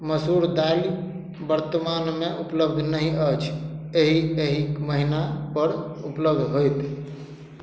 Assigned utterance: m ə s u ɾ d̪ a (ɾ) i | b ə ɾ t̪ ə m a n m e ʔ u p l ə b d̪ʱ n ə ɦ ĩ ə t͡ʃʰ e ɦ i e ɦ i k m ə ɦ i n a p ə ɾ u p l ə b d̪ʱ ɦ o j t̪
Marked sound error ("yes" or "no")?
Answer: yes